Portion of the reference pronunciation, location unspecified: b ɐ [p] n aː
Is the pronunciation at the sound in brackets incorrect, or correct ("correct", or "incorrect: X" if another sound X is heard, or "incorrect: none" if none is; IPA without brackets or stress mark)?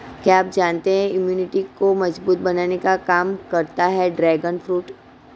incorrect: none